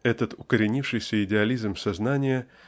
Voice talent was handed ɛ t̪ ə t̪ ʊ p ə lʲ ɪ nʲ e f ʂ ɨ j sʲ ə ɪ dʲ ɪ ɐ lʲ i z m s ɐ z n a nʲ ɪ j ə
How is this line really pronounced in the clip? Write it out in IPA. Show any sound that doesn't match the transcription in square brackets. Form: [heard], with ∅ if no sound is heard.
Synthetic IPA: ɛ t̪ ə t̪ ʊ [k] ə [ɾʲ] ɪ nʲ [i] f ʂ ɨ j sʲ ə ɪ dʲ ɪ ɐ lʲ i z m s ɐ z n a nʲ ɪ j ə